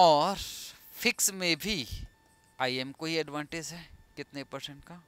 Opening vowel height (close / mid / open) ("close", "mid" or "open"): mid